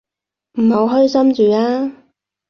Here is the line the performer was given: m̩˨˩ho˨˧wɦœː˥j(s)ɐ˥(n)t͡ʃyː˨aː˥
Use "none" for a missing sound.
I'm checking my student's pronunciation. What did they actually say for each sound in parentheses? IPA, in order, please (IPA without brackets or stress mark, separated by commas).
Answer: s, m